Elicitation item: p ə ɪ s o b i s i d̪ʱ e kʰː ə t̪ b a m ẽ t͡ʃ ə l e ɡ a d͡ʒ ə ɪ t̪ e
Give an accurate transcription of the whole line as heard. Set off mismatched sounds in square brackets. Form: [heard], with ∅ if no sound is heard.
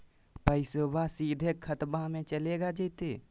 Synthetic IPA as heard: p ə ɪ s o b [a] s i d̪ʱ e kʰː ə t̪ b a m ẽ t͡ʃ ə l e ɡ a d͡ʒ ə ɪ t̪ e